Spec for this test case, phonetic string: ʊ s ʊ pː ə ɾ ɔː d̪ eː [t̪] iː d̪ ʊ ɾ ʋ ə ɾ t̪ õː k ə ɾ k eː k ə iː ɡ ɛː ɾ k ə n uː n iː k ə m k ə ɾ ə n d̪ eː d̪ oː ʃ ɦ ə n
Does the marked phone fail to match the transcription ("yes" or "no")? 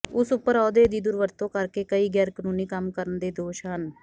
yes